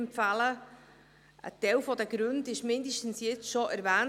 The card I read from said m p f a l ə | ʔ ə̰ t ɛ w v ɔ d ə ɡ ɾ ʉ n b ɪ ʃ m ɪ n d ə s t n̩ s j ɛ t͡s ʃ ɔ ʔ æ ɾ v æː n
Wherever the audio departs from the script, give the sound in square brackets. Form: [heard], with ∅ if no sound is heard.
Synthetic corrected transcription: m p f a l ə | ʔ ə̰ t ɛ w [f] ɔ d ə ɡ ɾ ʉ n [d] ɪ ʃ m ɪ n d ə [ʃ] t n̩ s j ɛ t͡s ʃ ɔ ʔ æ ɾ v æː n

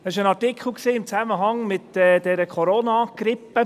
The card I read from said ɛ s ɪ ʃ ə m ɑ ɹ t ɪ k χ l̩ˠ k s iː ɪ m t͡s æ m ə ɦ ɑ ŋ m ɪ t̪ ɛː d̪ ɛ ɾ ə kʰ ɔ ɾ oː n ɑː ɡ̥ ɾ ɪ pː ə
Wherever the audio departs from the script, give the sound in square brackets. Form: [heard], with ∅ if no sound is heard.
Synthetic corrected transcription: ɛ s ɪ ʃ ə [n] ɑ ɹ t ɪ k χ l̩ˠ k s iː ɪ m t͡s æ m ə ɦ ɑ ŋ m ɪ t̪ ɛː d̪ ɛ ɾ ə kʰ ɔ ɾ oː n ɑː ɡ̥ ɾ ɪ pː ə

